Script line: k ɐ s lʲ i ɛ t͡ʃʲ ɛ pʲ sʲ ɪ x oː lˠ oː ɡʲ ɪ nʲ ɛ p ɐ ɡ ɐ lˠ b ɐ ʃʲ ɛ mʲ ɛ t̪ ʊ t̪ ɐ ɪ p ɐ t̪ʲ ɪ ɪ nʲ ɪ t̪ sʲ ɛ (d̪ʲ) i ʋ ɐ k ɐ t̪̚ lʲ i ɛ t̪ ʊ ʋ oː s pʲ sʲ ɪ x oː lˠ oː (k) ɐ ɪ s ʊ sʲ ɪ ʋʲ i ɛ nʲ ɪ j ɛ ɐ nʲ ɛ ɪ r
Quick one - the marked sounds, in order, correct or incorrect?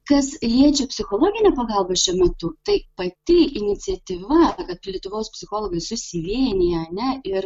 incorrect: t̪ʲ, incorrect: ɡ

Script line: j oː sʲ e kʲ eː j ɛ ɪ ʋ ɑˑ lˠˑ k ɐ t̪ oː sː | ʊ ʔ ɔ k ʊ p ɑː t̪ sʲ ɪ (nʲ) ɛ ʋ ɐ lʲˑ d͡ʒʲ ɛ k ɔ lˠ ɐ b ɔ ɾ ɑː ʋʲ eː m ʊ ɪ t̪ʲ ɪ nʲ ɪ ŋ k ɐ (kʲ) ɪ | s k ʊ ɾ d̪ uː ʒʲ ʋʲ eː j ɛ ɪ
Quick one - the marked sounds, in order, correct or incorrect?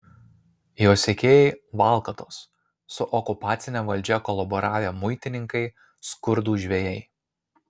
correct, incorrect: none

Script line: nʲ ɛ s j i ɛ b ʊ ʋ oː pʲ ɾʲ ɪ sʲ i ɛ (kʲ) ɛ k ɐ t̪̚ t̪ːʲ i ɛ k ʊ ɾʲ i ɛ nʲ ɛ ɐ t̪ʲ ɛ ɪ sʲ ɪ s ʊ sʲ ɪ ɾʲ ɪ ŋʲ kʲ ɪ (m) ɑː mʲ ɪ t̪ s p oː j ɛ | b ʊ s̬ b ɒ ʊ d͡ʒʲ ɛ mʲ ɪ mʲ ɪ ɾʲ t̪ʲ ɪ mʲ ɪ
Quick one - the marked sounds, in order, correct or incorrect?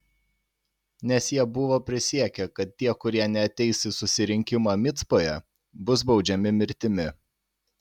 correct, correct

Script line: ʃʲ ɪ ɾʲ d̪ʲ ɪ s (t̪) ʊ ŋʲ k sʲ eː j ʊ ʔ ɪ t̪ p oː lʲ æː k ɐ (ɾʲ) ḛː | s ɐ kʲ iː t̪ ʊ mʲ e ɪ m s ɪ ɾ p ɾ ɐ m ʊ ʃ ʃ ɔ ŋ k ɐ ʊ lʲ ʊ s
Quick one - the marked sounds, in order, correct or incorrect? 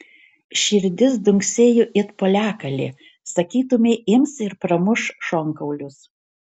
incorrect: d̪, incorrect: lʲ

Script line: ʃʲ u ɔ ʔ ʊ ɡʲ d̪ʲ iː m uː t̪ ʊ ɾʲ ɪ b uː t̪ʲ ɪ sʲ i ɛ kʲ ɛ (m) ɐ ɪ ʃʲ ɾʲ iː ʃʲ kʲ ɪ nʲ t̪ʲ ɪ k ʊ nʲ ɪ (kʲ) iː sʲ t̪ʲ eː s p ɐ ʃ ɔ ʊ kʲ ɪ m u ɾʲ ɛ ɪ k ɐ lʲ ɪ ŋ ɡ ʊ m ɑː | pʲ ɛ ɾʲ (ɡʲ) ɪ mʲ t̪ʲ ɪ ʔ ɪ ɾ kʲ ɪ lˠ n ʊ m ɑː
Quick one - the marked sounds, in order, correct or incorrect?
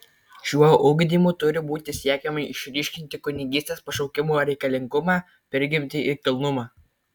correct, incorrect: ɡʲ, correct

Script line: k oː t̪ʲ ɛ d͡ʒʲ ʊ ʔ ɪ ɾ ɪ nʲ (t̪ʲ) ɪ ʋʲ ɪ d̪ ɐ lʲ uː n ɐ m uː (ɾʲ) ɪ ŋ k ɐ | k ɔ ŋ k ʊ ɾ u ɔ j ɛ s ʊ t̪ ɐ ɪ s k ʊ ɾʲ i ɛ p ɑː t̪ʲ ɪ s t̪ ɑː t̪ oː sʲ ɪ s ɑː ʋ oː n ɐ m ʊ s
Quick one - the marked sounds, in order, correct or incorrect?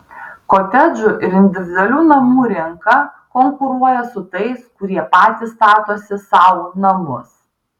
incorrect: d̪ʲ, correct

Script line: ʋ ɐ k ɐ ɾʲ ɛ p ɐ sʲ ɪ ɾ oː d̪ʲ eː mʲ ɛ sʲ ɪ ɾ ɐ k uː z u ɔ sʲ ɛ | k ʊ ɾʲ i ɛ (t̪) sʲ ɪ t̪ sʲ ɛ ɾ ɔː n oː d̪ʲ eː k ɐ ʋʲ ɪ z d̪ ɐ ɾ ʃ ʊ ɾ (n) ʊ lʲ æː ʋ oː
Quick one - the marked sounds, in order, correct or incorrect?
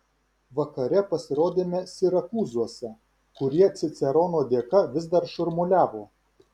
correct, incorrect: m

